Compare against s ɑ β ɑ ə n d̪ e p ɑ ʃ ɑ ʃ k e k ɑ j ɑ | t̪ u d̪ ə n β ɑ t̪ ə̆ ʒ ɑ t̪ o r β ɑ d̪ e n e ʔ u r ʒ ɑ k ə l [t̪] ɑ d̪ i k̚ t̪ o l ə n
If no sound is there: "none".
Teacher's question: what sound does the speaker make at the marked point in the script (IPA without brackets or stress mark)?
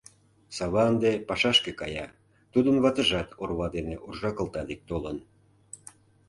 t̪